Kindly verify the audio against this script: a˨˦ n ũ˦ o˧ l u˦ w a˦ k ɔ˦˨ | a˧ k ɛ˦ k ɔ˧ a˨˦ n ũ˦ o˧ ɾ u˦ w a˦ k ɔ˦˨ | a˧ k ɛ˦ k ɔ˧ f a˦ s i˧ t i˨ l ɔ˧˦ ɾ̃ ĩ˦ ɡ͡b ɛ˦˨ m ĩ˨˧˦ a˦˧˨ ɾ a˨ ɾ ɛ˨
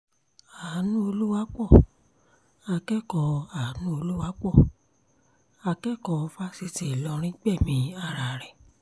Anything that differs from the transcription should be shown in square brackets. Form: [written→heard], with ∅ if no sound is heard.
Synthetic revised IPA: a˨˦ n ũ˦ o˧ l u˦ w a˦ [k→k͡p] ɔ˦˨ | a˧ k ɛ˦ k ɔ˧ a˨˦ n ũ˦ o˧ [ɾ→l] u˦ w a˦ [k→k͡p] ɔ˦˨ | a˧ k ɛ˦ k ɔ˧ f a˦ s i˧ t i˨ l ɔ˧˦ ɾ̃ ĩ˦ ɡ͡b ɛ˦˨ m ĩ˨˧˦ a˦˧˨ ɾ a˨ ɾ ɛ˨